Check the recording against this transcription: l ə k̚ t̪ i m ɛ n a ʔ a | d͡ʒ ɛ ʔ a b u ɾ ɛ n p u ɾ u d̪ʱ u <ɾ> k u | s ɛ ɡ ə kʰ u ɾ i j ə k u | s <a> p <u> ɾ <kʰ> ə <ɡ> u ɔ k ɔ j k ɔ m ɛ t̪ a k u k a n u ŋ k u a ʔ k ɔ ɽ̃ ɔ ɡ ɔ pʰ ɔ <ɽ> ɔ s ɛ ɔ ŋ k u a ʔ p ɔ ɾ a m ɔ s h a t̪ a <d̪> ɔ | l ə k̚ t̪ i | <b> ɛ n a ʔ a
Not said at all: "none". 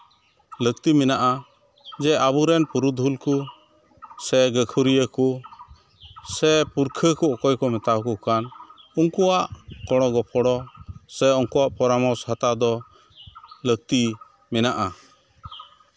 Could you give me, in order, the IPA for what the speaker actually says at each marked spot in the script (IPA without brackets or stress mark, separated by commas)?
l, ɛ, u, kʰ, k, ɽ, d̪, m